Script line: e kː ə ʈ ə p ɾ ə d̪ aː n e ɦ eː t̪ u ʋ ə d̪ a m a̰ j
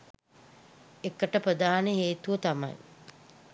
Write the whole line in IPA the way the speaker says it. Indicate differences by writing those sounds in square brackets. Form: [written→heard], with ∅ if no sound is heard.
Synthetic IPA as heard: e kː ə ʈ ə p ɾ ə d̪ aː n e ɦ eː t̪ u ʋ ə [d̪→t̪] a m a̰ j